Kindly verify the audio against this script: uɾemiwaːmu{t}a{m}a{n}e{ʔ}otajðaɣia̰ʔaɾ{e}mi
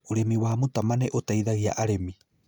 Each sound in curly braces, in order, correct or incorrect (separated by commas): correct, correct, correct, correct, correct